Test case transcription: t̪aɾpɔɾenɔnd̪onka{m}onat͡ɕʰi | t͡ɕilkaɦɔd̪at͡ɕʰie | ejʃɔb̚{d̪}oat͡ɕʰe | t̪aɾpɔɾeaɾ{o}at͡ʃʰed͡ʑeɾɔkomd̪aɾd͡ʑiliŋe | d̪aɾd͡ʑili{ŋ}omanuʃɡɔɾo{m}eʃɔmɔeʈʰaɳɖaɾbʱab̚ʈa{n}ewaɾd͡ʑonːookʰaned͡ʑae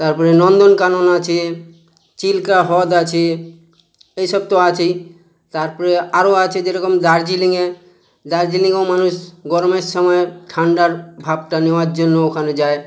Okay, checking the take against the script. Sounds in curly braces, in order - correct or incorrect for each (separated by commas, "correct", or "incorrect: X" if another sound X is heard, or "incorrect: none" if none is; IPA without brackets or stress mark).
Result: incorrect: n, incorrect: t̪, correct, correct, correct, correct